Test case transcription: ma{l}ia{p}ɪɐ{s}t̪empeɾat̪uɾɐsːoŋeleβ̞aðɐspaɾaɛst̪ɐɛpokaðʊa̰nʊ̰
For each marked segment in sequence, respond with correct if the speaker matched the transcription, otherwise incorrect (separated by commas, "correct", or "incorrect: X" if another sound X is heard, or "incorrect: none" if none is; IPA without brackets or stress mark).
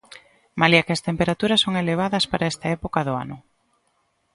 correct, incorrect: k, correct